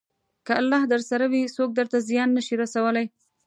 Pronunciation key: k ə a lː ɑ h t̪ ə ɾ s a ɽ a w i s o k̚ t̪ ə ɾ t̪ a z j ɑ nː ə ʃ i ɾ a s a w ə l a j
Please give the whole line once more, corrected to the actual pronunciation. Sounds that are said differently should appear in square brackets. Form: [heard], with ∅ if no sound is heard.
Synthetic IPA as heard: k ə a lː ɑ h [d̪] ə ɾ s a [ɾ] a w i s o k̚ [d̪] ə ɾ t̪ a z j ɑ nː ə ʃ i ɾ a s a w ə l a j